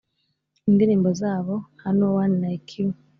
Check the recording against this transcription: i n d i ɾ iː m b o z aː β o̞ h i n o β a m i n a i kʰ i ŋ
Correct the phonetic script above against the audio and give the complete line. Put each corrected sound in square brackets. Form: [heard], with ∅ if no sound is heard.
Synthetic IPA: i n d i ɾ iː m b o z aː β o̞ h [a] n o [w] a [n] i n a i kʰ i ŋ